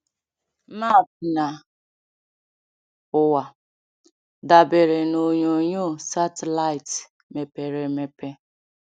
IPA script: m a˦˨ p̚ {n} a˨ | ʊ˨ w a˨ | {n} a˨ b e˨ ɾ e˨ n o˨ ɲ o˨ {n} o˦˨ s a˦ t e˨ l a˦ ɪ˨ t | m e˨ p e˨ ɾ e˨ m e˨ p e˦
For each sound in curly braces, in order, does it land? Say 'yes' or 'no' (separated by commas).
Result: yes, no, no